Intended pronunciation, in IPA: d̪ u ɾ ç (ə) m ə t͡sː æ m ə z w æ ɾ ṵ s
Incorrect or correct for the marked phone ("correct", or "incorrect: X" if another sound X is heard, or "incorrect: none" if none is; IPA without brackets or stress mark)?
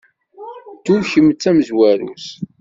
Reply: correct